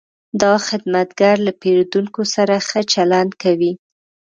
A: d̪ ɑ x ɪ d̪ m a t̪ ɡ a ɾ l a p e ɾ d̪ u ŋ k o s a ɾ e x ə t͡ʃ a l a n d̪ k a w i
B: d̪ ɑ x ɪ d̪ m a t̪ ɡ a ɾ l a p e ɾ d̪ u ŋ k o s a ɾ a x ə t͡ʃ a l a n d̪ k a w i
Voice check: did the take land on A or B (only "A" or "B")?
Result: B